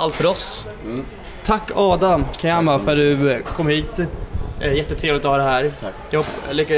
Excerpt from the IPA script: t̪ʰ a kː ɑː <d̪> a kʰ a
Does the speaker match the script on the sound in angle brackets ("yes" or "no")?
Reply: yes